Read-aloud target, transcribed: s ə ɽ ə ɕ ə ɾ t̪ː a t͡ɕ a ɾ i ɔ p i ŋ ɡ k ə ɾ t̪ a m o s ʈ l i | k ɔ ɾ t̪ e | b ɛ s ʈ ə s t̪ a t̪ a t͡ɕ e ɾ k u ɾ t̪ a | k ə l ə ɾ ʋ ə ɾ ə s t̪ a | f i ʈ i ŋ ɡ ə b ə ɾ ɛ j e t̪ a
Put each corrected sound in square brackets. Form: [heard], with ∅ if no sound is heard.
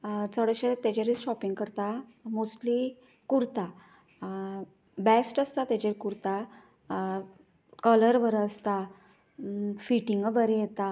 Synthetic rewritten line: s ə ɽ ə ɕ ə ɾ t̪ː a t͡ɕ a ɾ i ɔ p i ŋ ɡ k ə ɾ t̪ a m o s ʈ l i | k [u] ɾ t̪ [a] | b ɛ s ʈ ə s t̪ a t̪ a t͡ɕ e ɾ k u ɾ t̪ a | k ə l ə ɾ ʋ ə ɾ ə s t̪ a | f i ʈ i ŋ ɡ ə b ə ɾ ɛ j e t̪ a